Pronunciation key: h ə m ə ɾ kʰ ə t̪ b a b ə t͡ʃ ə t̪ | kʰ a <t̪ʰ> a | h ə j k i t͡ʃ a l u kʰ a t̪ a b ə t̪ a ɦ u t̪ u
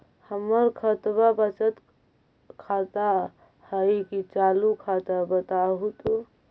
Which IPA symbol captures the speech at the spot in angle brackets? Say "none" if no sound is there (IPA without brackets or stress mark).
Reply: t̪